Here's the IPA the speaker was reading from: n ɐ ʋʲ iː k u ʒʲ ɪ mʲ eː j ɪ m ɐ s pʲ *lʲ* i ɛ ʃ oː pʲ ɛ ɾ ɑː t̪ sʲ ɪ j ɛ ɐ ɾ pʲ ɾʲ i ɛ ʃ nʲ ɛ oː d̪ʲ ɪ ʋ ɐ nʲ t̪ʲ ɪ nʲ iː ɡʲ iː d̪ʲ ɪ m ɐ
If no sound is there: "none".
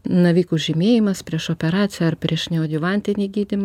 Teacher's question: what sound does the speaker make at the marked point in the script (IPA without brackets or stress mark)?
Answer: ɾʲ